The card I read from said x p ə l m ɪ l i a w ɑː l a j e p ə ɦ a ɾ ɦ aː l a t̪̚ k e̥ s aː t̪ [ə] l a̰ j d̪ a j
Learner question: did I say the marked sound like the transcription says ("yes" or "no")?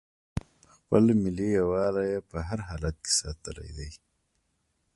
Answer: yes